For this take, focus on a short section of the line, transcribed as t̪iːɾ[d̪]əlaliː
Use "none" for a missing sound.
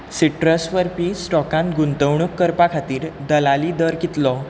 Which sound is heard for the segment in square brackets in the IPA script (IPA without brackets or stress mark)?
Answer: d̪